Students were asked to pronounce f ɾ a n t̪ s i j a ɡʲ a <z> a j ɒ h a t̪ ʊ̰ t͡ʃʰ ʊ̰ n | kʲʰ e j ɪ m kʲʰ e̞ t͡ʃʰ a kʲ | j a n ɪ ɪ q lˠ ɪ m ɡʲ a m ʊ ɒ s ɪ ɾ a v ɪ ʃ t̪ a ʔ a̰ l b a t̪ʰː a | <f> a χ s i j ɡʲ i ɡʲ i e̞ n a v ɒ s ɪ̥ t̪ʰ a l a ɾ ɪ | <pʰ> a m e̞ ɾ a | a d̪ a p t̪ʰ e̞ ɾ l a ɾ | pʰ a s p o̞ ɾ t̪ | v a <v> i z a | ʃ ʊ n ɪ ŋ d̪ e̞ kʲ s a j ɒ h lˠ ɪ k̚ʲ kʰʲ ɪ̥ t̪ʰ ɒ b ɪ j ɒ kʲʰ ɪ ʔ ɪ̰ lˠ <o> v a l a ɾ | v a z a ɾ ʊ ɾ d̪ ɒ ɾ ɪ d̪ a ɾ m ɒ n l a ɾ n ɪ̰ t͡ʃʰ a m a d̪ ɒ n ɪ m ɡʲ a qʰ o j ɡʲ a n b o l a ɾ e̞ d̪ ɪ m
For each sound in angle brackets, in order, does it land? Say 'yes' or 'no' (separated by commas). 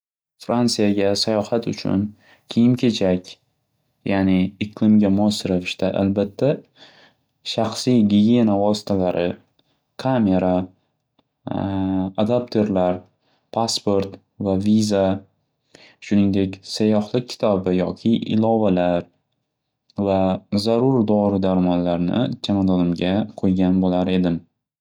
no, no, no, yes, no